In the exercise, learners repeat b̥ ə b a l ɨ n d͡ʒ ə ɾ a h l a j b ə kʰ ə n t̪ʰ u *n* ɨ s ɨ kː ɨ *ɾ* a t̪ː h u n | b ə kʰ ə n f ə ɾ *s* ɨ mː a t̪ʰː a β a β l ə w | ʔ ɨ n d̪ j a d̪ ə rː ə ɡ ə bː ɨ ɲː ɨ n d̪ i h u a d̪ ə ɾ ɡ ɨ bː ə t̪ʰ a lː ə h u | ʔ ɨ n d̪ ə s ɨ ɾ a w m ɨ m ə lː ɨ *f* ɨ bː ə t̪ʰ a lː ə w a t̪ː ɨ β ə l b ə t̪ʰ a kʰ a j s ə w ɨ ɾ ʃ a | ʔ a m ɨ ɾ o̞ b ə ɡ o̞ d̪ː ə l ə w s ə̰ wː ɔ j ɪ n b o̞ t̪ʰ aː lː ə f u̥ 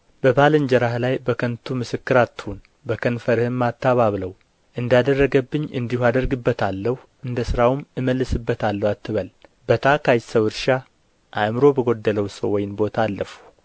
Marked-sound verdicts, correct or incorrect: incorrect: m, correct, incorrect: h, incorrect: s

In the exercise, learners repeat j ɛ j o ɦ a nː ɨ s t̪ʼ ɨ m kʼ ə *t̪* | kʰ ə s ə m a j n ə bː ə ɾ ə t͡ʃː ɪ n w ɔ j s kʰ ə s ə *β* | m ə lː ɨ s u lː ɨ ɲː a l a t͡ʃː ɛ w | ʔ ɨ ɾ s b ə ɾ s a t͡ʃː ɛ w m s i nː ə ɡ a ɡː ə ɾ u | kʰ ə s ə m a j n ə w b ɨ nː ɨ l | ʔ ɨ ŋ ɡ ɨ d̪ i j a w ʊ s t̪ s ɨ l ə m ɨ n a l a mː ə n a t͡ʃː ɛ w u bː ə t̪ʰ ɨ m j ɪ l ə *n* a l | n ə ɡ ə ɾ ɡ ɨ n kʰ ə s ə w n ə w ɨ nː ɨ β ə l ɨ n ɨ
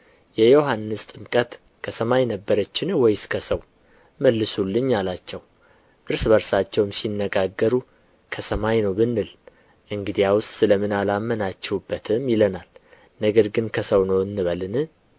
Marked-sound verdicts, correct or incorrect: correct, incorrect: w, correct

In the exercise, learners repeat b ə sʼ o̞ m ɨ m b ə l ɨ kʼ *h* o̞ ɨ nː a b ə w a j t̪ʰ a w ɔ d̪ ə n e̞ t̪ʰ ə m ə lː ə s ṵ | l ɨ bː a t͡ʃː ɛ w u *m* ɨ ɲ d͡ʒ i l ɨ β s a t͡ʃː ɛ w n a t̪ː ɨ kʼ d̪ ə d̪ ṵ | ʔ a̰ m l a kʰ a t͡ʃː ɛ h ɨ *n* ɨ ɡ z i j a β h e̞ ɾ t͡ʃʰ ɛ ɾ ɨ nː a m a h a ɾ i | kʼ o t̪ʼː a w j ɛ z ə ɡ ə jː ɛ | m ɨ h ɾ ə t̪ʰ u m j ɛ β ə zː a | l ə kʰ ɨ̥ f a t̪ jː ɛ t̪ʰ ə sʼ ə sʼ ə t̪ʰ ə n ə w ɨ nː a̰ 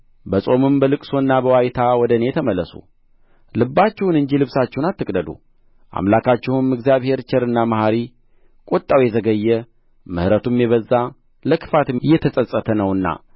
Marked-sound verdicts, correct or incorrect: incorrect: s, incorrect: n, incorrect: m

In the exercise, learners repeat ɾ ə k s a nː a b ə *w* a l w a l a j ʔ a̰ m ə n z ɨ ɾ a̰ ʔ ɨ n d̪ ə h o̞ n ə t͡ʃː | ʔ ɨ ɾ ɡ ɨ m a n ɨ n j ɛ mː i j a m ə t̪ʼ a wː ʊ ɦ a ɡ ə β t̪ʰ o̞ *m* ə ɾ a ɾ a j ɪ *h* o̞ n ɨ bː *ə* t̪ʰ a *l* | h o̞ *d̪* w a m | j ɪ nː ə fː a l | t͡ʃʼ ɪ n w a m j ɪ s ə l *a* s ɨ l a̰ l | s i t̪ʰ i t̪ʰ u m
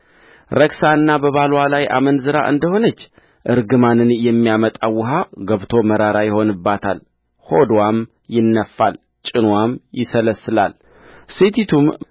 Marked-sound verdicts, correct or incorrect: incorrect: β, correct, correct, incorrect: a, correct, correct, incorrect: ə

